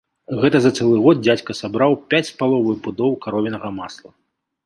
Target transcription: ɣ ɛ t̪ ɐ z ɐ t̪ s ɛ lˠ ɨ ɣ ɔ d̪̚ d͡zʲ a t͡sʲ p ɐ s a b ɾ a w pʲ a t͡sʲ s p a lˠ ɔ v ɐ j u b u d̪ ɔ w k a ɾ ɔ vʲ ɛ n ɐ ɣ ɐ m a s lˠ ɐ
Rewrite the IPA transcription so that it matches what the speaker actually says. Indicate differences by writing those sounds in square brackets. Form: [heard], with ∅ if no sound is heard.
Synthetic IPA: ɣ ɛ t̪ ɐ z ɐ t̪ s ɛ lˠ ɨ ɣ ɔ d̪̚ d͡zʲ a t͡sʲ [k] ɐ s a b ɾ a w pʲ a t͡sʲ s p a lˠ ɔ v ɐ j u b u d̪ ɔ w k a ɾ ɔ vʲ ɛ n ɐ ɣ ɐ m a s lˠ ɐ